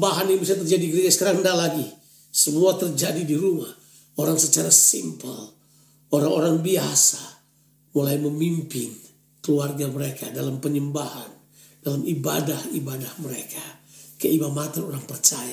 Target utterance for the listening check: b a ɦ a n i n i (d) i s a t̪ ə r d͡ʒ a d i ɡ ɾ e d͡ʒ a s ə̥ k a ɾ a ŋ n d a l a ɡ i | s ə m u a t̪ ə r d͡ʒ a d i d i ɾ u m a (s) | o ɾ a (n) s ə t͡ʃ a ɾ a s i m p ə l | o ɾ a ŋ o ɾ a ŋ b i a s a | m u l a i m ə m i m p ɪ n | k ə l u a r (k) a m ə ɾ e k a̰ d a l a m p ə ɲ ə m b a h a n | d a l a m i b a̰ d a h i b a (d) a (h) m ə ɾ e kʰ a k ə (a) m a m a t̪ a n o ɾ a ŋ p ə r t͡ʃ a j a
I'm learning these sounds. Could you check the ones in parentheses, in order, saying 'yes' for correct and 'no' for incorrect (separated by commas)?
no, no, no, no, yes, yes, no